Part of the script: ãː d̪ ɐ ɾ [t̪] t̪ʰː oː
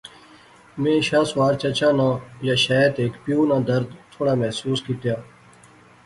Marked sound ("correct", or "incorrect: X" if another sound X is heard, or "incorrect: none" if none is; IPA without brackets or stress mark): incorrect: d̪